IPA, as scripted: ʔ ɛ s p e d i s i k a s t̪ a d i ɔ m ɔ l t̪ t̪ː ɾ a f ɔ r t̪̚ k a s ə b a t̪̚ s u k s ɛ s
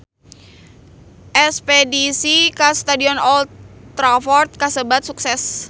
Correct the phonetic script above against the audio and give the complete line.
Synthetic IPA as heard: ʔ ɛ s p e d i s i k a s t̪ a d i ɔ n ɔ l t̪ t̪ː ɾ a f ɔ r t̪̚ k a s ə b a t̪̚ s u k s ɛ s